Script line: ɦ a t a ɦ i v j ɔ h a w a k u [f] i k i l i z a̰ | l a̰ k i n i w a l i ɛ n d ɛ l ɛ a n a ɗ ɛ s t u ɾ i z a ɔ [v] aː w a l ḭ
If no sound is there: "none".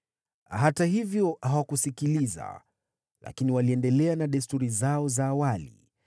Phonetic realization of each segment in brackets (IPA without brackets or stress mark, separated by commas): s, z